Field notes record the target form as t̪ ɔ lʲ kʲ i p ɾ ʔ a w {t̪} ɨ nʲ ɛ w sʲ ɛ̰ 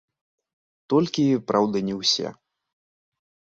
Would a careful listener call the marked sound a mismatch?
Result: yes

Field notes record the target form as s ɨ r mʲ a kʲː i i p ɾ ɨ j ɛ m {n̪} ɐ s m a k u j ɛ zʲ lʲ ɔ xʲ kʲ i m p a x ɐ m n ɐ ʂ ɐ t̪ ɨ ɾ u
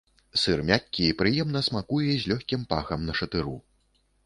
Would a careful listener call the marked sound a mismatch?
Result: no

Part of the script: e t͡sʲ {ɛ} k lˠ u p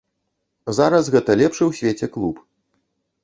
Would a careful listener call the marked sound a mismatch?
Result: no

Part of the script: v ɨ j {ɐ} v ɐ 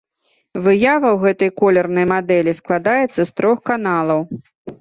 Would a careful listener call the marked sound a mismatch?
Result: yes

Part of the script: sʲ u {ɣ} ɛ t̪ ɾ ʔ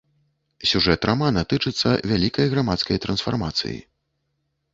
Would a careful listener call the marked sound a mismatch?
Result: yes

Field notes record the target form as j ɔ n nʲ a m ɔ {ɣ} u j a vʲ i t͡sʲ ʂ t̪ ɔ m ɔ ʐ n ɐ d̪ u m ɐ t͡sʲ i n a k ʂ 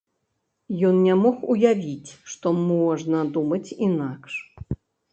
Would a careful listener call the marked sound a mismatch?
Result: yes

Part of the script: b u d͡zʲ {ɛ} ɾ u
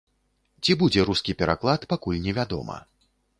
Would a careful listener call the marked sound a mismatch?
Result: no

